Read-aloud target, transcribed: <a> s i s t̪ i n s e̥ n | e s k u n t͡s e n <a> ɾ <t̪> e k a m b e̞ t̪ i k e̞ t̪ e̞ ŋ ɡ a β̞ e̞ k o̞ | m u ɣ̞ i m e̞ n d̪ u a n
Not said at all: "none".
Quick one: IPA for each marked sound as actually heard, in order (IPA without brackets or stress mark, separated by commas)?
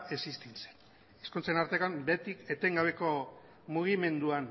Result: e, a, t̪